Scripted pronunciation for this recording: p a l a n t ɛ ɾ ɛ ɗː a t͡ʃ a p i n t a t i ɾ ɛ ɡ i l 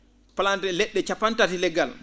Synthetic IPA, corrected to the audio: p a l a n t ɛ l ɛ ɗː ɛ t͡ʃ a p a n t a t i l ɛ ɡ a l